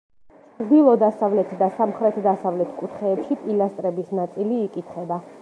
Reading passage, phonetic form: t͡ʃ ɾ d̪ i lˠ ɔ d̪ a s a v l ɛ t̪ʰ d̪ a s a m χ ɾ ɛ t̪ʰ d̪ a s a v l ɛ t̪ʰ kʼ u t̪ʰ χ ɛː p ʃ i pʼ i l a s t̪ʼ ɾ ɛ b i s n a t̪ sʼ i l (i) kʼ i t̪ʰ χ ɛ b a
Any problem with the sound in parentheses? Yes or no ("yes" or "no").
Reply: yes